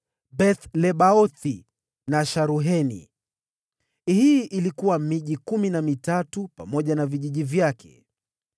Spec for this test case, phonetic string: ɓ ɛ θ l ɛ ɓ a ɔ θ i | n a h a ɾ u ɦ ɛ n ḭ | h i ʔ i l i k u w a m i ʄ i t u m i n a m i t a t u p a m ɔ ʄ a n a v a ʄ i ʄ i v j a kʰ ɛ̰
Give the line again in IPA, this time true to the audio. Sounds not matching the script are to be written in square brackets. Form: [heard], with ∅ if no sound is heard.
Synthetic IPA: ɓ ɛ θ l ɛ ɓ a ɔ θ i | n a [ʃ] a ɾ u ɦ ɛ n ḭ | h i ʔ i l i k u w a m i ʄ i [k] u m i n a m i t a t u p a m ɔ ʄ a n a v [i] ʄ i ʄ i v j a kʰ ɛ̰